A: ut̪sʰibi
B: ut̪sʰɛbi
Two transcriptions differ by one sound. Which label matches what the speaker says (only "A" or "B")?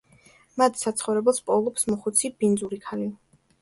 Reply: A